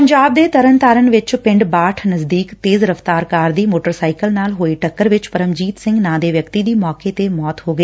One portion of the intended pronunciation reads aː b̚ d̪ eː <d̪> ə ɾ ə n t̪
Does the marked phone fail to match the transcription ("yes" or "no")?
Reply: yes